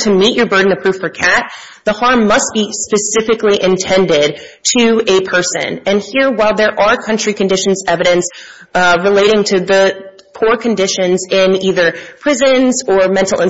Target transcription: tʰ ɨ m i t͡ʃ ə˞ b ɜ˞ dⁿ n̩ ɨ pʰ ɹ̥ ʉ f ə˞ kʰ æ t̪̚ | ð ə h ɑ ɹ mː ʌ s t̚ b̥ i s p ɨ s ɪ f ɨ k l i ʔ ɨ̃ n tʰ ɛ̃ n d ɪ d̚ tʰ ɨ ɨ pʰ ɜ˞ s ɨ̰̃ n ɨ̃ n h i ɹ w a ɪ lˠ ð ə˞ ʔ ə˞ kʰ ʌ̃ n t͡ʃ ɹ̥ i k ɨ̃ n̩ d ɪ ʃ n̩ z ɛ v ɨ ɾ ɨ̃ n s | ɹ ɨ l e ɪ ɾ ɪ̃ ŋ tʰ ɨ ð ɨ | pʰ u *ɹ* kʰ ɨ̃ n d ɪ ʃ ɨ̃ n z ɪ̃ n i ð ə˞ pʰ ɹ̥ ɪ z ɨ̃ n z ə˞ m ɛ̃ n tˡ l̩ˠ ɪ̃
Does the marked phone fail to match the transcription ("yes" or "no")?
no